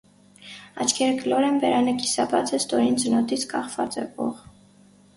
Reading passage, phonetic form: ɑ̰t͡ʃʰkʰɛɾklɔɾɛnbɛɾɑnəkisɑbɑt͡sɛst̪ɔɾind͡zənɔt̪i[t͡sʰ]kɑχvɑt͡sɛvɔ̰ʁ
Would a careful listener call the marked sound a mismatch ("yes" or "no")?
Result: no